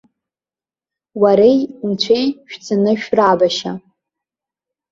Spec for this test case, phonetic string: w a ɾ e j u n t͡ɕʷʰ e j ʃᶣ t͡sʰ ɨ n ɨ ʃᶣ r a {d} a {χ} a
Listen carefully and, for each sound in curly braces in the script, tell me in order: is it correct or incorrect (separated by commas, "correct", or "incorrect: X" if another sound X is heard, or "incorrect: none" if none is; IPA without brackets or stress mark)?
incorrect: b, incorrect: ʃ